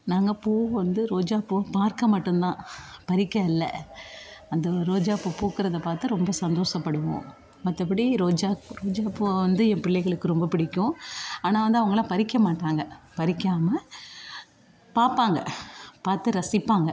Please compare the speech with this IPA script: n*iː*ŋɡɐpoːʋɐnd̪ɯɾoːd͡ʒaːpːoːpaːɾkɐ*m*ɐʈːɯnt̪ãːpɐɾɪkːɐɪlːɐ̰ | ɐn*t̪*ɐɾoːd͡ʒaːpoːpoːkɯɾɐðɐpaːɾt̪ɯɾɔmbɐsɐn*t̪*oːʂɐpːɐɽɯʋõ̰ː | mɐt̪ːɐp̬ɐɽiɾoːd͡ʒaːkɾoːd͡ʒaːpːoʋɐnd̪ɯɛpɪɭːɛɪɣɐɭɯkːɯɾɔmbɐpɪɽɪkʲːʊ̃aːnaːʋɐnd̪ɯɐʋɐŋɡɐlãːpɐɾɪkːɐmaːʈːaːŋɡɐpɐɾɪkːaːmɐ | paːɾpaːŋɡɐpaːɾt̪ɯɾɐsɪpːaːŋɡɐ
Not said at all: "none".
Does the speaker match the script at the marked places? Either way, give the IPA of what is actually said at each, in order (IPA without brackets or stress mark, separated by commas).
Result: aː, m, d̪, d̪